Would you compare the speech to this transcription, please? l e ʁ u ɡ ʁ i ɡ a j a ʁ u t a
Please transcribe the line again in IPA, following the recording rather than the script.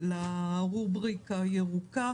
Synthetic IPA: l a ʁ u b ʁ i k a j e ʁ u k a